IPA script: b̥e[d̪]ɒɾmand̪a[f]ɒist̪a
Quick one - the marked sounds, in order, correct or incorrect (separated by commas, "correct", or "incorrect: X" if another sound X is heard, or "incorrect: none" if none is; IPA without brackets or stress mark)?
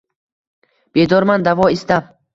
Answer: correct, incorrect: v